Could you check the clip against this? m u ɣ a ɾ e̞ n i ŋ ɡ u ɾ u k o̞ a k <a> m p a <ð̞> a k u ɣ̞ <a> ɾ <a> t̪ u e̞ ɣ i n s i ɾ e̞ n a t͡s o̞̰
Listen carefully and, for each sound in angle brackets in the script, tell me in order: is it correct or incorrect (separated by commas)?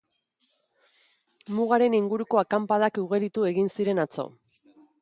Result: correct, correct, incorrect, incorrect